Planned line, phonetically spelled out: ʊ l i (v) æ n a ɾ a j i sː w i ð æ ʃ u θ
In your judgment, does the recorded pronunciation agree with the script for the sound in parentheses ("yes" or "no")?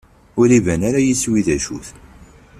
yes